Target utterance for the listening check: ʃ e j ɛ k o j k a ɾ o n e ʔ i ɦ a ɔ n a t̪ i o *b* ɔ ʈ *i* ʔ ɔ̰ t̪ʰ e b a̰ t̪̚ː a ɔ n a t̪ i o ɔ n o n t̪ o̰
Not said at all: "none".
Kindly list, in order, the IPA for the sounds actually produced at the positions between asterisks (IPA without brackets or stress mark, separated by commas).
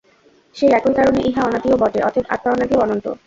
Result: b, e